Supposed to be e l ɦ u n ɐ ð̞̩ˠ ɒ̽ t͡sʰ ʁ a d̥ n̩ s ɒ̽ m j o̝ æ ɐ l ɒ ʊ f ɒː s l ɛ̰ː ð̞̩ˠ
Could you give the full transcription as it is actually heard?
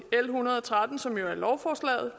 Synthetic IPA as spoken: e l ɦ u n ɐ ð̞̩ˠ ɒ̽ t͡sʰ ʁ a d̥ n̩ s ɒ̽ m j o̝ æ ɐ l ɒ ʊ f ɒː s l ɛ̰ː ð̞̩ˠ

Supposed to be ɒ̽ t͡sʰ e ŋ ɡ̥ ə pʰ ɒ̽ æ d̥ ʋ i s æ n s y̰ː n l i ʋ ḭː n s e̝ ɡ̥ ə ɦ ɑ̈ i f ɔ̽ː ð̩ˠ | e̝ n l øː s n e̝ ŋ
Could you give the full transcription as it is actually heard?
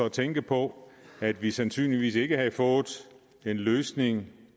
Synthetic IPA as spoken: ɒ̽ t͡sʰ e ŋ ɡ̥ ə pʰ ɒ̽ æ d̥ ʋ i s æ n s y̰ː n l i ʋ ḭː s e̝ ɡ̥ ə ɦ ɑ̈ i f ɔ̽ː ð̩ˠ | e̝ n l øː s n e̝ ŋ

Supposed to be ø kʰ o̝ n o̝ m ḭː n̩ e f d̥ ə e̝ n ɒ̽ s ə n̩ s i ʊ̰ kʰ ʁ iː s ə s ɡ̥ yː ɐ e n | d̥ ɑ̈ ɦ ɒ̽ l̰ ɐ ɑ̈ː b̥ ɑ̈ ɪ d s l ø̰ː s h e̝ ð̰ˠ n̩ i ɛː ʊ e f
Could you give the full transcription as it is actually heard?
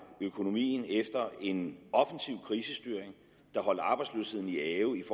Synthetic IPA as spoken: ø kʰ o̝ n o̝ m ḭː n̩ e f d̥ ɐ e̝ n ɒ̽ f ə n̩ s i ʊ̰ kʰ ʁ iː s ə s d̥ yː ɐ e ŋ | d̥ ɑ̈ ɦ ɒ̽ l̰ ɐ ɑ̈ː b̥ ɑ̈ ɪ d s l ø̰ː s h e̝ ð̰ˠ n̩ i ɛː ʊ i f

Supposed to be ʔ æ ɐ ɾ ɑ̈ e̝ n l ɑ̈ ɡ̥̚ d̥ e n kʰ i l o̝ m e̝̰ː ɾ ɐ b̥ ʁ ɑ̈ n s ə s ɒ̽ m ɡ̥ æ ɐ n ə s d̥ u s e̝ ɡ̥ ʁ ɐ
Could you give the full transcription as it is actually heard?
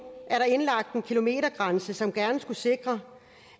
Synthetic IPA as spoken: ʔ æ ɐ ɾ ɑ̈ e̝ n l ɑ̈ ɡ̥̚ d̥ e n kʰ i l o̝ m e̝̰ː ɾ ɐ ɡ̥ ʁ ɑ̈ n s ə s ɒ̽ m ɡ̥ æ ɐ n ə s ɡ̥ u s e̝ ɡ̥ ʁ ɐ

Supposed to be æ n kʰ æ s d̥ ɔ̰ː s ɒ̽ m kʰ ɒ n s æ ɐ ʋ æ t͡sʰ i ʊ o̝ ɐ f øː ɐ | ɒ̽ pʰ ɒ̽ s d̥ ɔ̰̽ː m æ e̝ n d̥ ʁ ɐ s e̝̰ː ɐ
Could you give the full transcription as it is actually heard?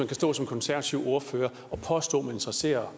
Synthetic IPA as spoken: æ n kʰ æ s d̥ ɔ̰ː s ɒ̽ m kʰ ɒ n s æ ɐ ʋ æ t͡sʰ i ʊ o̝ ɐ f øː ɐ | ɒ̽ pʰ ɒ̽ s d̥ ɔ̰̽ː m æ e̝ n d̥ ʁ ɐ s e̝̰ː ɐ

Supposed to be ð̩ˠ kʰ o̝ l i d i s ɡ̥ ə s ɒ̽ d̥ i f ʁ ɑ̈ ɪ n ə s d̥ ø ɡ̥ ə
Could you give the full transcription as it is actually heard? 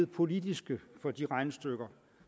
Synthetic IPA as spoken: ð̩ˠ pʰ o̝ l i d i s ɡ̥ ə f ɒ̽ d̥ i ʁ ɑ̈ ɪ n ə s d̥ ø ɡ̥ ɐ

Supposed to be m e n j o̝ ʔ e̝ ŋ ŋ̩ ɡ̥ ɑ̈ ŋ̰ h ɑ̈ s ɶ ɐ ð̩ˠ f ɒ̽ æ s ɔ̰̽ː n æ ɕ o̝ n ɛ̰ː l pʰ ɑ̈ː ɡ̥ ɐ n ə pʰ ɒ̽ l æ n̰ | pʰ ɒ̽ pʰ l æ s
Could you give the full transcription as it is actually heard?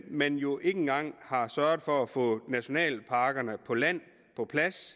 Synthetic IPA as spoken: m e n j o̝ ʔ e̝ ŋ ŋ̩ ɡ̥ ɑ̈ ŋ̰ h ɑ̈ s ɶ ɐ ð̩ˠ f ɒ̽ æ f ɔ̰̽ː n æ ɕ o̝ n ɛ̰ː l pʰ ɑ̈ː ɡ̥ ɐ n ə pʰ ɒ̽ l æ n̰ | pʰ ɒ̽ pʰ l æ s

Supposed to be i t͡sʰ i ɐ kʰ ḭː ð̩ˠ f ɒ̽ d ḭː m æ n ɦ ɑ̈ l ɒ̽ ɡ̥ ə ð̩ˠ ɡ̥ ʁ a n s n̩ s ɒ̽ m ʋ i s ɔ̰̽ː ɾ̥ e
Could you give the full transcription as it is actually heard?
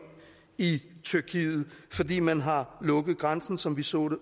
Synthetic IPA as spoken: i t͡sʰ y ɐ kʰ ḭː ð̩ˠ f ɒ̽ d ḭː m æ n ɦ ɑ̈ l ɔ̽ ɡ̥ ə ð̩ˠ ɡ̥ ʁ a n s n̩ s ɒ̽ m ʋ i s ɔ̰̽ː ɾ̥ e

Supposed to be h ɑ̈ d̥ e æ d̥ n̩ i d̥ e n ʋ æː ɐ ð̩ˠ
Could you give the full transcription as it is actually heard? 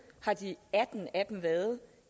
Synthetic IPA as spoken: h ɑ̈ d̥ i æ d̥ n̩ æ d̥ e m ʋ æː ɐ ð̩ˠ

